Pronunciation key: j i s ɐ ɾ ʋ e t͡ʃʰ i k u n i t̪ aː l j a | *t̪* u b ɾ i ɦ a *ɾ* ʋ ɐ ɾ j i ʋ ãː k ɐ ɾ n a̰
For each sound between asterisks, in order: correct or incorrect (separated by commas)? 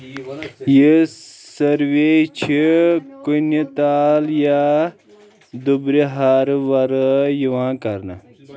incorrect, correct